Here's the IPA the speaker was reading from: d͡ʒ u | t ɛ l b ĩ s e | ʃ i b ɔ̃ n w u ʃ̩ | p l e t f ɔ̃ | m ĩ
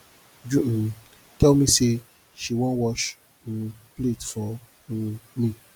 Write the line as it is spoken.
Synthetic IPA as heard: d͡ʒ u | t ɛ l m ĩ s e | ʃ i w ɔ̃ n w ɔ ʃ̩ | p l e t f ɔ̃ | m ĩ